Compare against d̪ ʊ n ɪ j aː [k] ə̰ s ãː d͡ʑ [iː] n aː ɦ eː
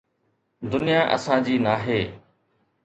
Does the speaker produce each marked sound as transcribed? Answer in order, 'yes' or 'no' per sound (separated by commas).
no, yes